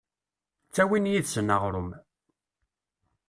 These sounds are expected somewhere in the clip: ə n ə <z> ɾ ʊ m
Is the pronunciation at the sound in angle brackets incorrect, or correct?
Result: incorrect